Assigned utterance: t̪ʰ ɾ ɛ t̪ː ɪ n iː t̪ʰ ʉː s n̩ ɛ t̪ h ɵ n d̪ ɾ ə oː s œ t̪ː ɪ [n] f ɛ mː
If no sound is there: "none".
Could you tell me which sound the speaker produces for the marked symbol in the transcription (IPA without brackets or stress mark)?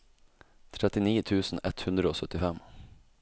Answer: none